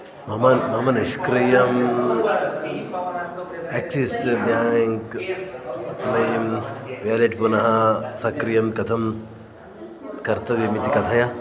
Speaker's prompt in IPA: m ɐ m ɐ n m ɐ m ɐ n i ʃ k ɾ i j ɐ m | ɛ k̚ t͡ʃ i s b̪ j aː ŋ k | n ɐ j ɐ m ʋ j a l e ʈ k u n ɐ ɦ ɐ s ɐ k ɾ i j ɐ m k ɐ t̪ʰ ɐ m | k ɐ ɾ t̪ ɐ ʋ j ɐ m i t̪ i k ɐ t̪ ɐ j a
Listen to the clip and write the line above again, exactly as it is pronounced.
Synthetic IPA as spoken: m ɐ m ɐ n m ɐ m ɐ n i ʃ k ɾ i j ɐ m | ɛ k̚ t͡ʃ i s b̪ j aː ŋ k | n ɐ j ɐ m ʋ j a l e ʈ p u n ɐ ɦ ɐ s ɐ k ɾ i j ɐ m k ɐ t̪ʰ ɐ m | k ɐ ɾ t̪ ɐ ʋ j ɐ m i t̪ i k ɐ t̪ʰ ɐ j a